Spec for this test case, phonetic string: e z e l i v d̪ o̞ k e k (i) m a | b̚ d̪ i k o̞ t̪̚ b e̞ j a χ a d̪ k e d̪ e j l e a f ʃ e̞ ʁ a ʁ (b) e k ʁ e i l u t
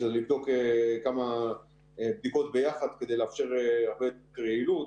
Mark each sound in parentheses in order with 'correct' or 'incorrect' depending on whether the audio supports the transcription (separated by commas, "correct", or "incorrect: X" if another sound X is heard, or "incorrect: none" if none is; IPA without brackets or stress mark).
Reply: incorrect: a, correct